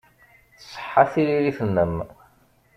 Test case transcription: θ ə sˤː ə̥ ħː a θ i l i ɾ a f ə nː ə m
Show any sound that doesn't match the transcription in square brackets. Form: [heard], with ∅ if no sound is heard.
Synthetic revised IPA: θ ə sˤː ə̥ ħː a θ i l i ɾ [i] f ə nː ə m